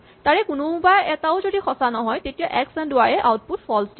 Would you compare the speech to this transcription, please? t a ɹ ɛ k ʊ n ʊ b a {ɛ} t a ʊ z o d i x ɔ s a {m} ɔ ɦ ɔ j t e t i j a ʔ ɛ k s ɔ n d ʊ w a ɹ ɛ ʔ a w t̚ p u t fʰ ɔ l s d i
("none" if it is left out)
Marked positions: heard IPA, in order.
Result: ɛ, n

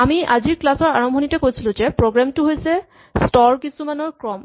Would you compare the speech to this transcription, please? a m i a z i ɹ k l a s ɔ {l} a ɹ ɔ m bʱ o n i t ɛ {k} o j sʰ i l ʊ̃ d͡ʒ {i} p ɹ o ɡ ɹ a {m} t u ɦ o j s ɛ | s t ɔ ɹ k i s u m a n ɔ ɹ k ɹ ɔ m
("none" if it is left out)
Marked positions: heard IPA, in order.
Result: ɹ, k, ɛ, m

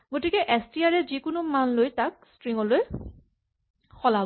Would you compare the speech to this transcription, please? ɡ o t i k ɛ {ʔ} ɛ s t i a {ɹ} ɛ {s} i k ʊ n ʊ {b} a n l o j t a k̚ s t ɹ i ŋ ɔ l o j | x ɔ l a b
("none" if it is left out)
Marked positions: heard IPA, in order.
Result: ʔ, ɹ, z, m

